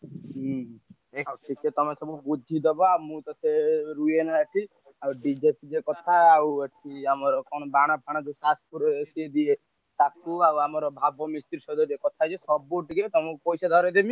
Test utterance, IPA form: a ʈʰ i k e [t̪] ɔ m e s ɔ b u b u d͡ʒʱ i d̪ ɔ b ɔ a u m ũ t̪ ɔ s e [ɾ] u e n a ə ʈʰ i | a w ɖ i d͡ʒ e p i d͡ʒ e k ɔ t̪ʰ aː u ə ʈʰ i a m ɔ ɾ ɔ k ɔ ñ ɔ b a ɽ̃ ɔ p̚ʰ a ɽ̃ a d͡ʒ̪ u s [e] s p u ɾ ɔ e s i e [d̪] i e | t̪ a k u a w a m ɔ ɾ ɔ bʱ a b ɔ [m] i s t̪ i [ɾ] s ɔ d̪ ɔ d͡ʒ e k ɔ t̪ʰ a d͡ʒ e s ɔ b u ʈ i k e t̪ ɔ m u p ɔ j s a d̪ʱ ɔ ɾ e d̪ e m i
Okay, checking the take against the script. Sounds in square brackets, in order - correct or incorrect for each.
correct, correct, incorrect: a, correct, correct, correct

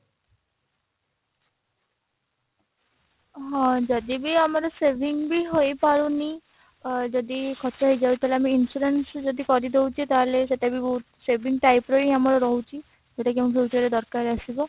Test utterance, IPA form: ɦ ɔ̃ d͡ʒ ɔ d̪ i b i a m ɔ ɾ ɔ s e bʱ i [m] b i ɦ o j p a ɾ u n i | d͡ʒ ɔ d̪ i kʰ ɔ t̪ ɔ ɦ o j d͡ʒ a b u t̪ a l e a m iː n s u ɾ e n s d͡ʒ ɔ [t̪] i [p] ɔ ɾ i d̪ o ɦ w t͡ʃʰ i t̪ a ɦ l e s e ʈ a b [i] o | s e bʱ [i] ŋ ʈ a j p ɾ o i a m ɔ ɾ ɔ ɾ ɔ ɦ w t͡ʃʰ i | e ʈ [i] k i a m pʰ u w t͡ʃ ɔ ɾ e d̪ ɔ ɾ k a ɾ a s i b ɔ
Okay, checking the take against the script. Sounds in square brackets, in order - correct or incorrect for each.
incorrect: ŋ, incorrect: d̪, incorrect: k, correct, correct, incorrect: a

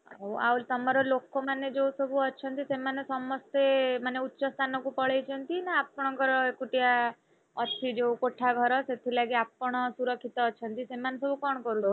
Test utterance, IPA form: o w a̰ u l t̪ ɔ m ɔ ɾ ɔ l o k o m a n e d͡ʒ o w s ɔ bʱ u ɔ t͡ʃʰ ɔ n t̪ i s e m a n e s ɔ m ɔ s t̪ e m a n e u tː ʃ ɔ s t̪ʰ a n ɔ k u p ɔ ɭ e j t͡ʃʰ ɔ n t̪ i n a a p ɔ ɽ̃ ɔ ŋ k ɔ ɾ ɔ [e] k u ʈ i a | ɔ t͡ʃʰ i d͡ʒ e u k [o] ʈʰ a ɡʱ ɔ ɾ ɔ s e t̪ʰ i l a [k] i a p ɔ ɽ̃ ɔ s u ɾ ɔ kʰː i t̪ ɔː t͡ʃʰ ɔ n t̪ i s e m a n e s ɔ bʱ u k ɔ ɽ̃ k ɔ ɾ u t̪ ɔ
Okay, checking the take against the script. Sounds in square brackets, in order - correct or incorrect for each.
correct, correct, incorrect: ɡ

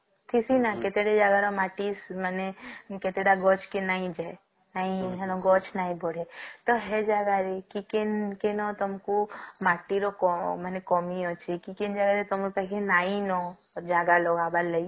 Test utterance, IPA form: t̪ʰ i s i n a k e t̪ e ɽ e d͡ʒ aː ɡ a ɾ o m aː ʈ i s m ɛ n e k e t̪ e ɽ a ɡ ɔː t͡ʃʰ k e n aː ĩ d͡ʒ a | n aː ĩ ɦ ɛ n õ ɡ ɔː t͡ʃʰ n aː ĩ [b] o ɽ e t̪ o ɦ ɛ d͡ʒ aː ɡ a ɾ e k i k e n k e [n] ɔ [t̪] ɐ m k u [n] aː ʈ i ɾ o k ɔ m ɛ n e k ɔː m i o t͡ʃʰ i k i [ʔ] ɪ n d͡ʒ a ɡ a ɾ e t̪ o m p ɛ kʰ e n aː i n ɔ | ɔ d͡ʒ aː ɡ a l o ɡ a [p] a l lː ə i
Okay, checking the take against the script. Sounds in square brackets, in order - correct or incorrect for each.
correct, correct, correct, incorrect: m, incorrect: k, incorrect: b

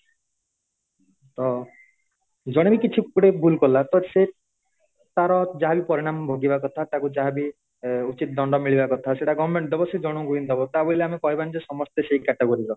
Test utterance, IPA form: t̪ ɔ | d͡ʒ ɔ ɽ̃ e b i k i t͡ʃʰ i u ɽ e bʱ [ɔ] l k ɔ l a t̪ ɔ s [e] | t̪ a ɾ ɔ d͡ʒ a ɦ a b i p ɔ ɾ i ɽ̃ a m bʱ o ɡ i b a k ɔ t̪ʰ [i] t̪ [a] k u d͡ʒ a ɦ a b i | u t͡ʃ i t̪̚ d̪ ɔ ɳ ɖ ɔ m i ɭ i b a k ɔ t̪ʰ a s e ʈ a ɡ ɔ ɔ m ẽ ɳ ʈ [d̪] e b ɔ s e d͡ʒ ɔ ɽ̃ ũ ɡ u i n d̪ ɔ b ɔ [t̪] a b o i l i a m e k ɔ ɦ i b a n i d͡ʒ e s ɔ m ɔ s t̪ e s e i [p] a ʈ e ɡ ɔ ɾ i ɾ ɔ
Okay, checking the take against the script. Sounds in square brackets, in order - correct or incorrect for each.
incorrect: u, correct, incorrect: a, correct, correct, correct, incorrect: k

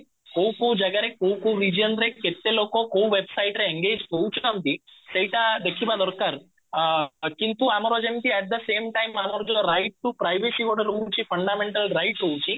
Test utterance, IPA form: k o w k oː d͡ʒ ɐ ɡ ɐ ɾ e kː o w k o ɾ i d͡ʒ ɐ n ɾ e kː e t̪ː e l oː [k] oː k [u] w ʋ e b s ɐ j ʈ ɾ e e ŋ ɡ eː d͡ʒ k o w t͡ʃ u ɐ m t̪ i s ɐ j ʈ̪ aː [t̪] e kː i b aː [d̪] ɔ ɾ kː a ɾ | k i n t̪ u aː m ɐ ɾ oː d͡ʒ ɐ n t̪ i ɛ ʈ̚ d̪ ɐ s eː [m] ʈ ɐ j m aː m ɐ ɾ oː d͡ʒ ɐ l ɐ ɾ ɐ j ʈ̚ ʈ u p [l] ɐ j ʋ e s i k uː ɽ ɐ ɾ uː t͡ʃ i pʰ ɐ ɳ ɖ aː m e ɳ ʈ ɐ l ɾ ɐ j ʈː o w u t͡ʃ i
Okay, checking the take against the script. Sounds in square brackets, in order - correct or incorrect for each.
correct, incorrect: o, incorrect: d̪, correct, correct, incorrect: ɾ

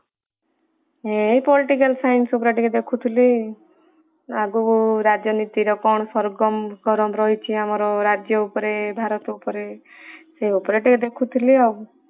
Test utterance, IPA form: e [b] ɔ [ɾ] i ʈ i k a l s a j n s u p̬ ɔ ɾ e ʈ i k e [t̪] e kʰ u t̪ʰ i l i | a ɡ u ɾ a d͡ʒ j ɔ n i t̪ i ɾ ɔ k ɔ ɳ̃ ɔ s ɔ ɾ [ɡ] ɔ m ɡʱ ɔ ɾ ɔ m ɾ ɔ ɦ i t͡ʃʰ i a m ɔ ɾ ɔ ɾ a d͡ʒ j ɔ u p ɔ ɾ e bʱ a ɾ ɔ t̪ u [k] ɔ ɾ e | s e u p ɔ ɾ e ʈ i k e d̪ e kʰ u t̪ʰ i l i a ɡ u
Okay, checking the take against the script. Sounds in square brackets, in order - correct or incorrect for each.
incorrect: p, incorrect: l, incorrect: d̪, correct, incorrect: p

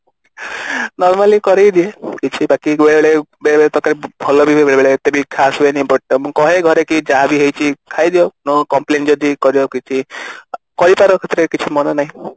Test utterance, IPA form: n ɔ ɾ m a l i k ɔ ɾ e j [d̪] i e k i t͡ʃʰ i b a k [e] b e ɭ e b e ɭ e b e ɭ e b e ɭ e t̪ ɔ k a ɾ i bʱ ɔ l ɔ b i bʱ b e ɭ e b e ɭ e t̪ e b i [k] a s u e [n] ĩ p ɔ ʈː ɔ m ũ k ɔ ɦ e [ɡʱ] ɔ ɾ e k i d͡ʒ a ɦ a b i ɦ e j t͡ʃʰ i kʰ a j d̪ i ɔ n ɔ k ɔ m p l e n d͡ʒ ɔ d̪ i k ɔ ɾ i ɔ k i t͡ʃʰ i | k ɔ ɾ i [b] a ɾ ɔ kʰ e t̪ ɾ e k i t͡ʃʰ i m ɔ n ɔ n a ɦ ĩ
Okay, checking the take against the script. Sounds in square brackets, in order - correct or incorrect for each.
correct, incorrect: i, incorrect: kʰ, correct, correct, incorrect: p

